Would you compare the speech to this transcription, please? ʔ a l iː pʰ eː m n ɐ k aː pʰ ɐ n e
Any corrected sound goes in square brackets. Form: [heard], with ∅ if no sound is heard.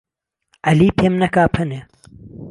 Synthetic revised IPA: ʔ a l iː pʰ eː m n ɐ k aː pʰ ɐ n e